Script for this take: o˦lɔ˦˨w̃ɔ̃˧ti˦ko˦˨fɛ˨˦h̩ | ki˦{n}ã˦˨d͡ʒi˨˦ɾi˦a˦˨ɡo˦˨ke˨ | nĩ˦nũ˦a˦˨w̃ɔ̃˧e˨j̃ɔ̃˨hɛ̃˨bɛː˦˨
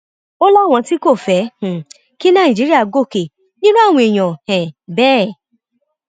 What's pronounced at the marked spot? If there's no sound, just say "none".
n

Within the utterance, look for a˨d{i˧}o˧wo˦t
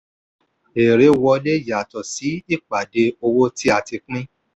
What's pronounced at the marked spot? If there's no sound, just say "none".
e˧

